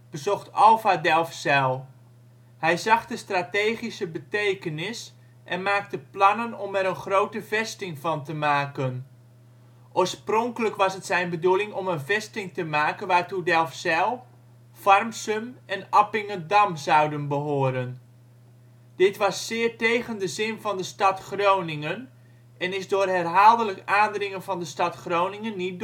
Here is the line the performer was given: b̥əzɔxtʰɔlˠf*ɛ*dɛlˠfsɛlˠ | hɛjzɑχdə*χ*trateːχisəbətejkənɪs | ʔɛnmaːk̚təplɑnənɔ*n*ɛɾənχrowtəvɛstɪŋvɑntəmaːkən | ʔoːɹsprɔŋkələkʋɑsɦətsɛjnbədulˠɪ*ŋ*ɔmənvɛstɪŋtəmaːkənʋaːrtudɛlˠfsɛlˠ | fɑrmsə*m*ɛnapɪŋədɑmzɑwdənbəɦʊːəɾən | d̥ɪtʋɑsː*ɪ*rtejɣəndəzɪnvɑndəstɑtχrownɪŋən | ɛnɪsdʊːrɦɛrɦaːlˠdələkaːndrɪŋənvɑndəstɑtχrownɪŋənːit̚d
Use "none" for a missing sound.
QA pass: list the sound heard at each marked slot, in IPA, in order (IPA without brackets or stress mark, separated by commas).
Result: a, s, m, ŋ, m, ɪː